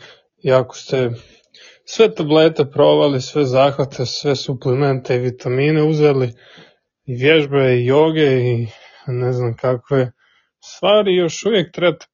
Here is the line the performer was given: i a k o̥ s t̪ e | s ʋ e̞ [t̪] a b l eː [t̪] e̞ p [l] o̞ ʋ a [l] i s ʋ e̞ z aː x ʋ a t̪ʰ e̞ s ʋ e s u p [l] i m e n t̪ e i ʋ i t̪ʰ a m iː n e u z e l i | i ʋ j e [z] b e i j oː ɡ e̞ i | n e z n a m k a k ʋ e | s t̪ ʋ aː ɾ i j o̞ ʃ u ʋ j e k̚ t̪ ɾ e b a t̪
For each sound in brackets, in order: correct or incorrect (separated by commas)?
correct, correct, incorrect, correct, correct, incorrect